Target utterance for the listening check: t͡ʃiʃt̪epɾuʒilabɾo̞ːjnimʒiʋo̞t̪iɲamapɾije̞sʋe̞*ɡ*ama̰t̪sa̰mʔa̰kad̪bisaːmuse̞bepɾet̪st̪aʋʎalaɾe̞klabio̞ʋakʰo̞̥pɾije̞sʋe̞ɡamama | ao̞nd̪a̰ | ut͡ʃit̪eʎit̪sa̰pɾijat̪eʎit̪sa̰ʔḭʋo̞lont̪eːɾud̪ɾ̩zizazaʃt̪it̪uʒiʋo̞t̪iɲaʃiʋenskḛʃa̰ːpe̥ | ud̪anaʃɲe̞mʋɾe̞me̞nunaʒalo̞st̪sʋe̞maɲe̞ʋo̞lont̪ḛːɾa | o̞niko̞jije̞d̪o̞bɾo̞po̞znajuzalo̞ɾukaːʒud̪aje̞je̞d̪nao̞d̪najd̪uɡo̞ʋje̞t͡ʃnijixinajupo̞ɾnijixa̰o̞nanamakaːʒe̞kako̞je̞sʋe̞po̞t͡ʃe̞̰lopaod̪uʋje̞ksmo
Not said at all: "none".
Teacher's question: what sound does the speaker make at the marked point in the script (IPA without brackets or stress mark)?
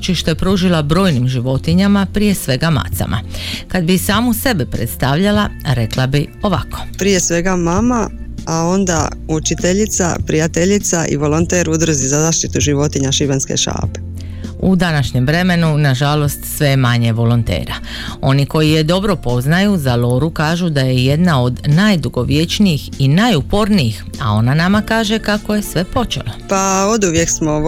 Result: ɡ